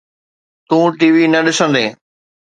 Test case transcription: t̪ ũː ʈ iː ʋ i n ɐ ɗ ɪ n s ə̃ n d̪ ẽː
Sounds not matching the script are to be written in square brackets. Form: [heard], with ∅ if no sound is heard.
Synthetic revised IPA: t̪ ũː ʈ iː ʋ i n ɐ ɗ ɪ [∅] s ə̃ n d̪ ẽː